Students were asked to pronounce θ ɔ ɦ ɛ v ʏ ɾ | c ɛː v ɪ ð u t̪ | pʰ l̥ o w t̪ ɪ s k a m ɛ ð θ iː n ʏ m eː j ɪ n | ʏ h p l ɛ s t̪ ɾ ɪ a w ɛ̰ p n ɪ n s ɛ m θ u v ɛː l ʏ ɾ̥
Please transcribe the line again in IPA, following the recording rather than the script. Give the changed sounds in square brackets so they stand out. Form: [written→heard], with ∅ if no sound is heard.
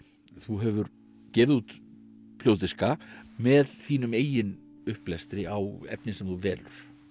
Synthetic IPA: θ [ɔ→u] ɦ ɛ v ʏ ɾ | c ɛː v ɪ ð u t̪ | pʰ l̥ o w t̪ ɪ s k a m ɛ ð θ iː n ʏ m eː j ɪ n | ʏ h p l ɛ s t̪ ɾ ɪ a w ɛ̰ p n ɪ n s ɛ m θ u v ɛː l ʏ ɾ̥

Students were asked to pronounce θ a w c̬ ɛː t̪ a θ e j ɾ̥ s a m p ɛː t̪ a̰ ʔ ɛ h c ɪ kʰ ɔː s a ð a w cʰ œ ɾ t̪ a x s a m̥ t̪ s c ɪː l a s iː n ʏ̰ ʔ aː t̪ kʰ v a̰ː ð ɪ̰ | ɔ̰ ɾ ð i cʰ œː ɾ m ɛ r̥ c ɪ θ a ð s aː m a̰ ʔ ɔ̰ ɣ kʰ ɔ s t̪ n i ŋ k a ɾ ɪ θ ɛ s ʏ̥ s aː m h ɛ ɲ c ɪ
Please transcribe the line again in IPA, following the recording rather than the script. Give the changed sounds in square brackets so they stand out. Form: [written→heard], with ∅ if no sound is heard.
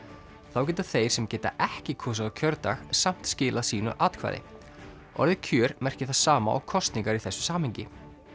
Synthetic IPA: θ a w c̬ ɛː t̪ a θ e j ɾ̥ s [a→ɛ] m [p→c] ɛː t̪ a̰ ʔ ɛ h c ɪ kʰ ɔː s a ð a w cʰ œ ɾ t̪ a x s a m̥ t̪ s c ɪː l a s iː n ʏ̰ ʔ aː t̪ kʰ v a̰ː ð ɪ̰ | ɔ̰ ɾ ð [i→ɪ] cʰ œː ɾ m ɛ r̥ c ɪ θ a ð s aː m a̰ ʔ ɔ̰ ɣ kʰ ɔ s t̪ n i ŋ k a ɾ [ɪ→i] θ ɛ [s→sː] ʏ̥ s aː m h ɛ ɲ c ɪ

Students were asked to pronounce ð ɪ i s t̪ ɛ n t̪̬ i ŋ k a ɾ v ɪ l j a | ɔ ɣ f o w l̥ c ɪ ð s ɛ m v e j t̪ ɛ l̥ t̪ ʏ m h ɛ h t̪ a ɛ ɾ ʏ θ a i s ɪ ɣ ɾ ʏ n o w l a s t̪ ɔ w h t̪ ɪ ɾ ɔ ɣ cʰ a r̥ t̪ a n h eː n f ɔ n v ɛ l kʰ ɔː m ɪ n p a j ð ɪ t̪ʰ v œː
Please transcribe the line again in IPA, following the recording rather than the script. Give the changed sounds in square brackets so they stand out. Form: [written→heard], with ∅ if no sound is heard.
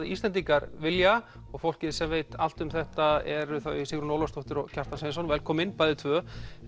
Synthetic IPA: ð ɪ i s t̪ ɛ n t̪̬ i ŋ k a ɾ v ɪ l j a | ɔ ɣ f o w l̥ c ɪ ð s ɛ m v e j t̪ [ɛ→a] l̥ t̪ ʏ m [h→θ] ɛ h t̪ a ɛ ɾ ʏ θ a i s ɪ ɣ ɾ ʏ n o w l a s t̪ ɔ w h t̪ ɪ ɾ ɔ ɣ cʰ a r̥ t̪ a n [h→s] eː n [f→s] ɔ n v ɛ l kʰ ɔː m ɪ n p a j ð ɪ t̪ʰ v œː

